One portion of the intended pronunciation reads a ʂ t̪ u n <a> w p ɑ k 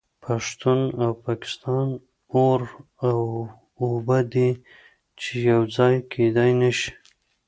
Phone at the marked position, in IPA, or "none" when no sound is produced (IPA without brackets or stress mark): a